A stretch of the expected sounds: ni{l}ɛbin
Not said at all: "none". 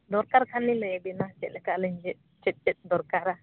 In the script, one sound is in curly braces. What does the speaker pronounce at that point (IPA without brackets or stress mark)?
l